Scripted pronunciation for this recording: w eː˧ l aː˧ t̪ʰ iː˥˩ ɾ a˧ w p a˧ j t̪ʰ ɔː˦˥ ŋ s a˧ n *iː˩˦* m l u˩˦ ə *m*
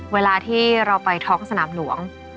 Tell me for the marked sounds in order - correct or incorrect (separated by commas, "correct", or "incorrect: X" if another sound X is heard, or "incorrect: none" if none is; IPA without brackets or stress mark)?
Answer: incorrect: aː˩˦, incorrect: ŋ